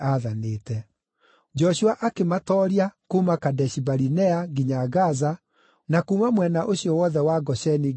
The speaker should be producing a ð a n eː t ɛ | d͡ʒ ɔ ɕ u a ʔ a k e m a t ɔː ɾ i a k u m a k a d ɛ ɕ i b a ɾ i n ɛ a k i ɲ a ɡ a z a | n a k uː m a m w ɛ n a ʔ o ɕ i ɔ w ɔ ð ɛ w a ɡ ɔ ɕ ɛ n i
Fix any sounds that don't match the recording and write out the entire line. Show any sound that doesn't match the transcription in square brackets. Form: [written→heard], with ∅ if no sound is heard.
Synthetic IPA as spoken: a ð a n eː t ɛ | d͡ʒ ɔ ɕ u a ʔ a k e m a t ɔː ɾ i a k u m a k a d ɛ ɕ i b a ɾ i n ɛ a [k→ɡ] i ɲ a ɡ a z a | n a k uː m a m w ɛ n a ʔ o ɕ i ɔ w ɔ ð ɛ w a ɡ ɔ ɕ ɛ n i